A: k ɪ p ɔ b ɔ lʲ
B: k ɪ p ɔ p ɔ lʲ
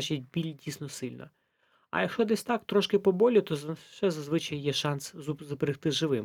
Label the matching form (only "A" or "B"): A